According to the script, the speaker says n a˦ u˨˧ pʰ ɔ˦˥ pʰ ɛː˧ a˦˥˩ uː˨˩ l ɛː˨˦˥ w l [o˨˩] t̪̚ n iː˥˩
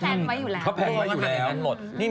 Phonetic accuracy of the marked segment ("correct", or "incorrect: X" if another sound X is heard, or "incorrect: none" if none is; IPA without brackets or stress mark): correct